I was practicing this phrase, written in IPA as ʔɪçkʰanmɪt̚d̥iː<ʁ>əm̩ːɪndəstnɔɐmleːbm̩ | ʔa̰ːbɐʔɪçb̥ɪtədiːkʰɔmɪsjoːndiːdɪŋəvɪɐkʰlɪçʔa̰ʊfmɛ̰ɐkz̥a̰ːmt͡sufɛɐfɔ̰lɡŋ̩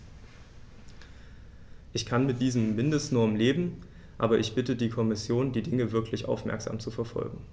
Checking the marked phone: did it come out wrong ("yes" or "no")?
yes